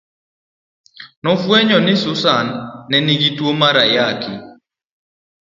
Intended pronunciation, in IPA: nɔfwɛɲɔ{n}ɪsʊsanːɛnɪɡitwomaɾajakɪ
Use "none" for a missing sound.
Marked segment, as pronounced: n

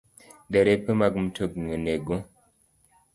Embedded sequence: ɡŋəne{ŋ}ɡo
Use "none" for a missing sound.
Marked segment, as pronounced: none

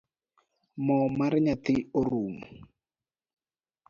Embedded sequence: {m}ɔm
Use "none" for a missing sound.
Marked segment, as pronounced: m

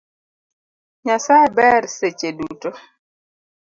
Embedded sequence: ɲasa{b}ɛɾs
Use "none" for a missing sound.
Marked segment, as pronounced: b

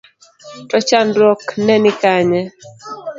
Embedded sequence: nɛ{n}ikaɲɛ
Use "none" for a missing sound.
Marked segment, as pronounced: n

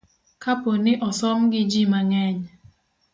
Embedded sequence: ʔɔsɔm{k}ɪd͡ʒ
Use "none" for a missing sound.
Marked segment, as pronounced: ɡ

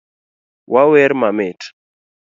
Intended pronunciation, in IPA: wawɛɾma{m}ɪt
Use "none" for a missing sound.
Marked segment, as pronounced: m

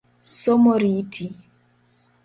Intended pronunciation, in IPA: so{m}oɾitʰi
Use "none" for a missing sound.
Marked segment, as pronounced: m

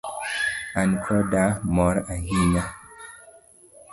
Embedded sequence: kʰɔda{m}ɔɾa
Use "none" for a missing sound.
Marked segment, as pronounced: m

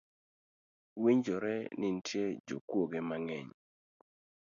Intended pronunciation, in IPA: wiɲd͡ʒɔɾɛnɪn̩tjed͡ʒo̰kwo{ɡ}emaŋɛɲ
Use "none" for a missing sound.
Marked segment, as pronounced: ɡ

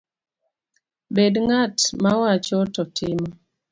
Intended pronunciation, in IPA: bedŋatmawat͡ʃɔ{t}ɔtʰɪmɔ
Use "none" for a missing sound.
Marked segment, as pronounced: t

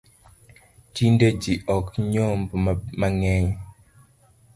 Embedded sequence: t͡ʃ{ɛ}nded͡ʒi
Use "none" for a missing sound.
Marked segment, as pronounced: i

